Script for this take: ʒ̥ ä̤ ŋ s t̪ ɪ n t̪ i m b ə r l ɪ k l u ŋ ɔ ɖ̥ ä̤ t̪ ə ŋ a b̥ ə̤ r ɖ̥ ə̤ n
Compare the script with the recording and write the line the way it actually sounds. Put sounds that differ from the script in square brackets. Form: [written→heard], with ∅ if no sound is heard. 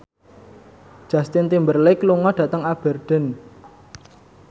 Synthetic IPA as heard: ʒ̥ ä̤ [ŋ→∅] s t̪ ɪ n t̪ i m b ə r l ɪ k l u ŋ ɔ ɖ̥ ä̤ t̪ ə ŋ a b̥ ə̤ r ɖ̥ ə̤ n